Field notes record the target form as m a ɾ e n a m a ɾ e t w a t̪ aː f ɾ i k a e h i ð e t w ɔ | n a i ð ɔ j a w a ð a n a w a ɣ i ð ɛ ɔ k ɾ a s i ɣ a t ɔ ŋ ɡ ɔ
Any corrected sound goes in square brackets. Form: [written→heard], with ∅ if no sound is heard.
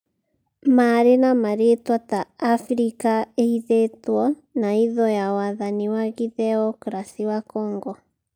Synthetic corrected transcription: m a ɾ e n a m a ɾ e t w a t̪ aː f ɾ i k a e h i ð e t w ɔ | n a i ð ɔ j a w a ð a n [a→i] w a ɣ i ð ɛ ɔ k ɾ a s i [ɣ→w] a [t→k] ɔ ŋ ɡ ɔ